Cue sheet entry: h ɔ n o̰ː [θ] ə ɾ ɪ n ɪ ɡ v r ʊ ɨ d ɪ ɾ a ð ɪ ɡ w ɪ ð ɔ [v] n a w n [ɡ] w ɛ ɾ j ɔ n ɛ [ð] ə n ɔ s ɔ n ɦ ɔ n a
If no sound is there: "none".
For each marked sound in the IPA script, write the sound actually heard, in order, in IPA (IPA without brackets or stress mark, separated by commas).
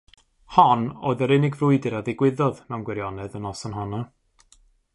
ð, ð, ɡ, ð